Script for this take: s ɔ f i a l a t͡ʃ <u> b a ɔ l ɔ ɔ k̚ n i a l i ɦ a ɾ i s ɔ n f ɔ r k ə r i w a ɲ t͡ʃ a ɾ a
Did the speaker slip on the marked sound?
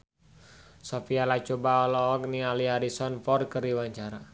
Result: yes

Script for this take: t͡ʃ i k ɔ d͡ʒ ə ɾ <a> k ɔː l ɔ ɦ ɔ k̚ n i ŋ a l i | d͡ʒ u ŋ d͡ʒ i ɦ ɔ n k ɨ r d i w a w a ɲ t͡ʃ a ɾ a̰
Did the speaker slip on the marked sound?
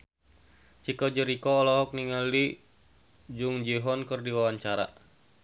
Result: yes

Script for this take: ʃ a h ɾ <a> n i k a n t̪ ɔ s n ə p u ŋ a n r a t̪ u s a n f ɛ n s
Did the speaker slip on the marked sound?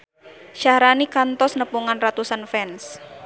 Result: no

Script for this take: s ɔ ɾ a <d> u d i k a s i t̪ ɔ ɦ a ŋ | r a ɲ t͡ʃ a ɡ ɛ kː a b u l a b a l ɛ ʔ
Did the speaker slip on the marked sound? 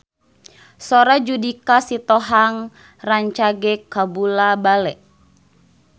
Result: yes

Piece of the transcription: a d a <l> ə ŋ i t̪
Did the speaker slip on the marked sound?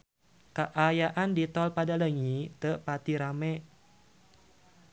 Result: no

